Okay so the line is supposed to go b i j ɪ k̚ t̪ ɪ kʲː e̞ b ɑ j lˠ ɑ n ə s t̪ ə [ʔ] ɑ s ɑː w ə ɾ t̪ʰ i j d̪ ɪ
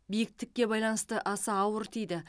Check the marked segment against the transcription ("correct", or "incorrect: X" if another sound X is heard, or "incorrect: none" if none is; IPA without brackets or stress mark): correct